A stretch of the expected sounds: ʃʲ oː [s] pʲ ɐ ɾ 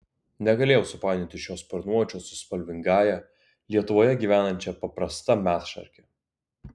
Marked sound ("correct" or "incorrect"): correct